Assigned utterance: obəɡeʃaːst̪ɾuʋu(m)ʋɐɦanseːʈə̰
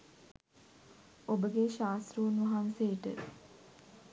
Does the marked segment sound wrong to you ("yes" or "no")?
yes